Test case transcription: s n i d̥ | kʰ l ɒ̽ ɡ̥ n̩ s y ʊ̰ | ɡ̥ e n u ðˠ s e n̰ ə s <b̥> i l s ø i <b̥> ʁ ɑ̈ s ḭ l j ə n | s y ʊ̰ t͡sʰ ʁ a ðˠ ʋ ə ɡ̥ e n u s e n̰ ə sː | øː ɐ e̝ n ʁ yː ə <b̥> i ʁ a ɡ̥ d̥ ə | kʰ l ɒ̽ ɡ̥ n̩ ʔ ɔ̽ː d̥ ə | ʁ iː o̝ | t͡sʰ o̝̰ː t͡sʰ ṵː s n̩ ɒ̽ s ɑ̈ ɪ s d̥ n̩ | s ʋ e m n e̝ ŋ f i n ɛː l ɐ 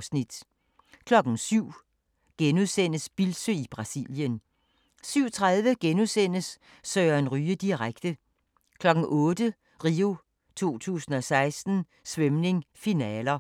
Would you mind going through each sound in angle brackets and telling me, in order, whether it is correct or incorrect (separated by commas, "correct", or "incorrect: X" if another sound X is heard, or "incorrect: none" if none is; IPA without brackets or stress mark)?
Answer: correct, correct, incorrect: d̥